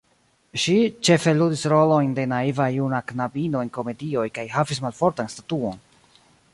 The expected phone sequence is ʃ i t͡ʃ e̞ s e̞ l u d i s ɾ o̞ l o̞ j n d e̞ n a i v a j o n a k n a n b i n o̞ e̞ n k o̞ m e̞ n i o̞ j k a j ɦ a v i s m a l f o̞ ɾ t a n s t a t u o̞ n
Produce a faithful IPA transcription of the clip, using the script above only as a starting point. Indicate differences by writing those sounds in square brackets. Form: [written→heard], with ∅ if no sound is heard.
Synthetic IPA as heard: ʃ i t͡ʃ e̞ [s→f] e̞ l u d i s ɾ o̞ l o̞ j n d e̞ n a i v a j [o→u] n a k n a [n→∅] b i n o̞ e̞ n k o̞ m e̞ [n→d] i o̞ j k a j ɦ a v i s m a l f o̞ ɾ t a n s t a t u o̞ n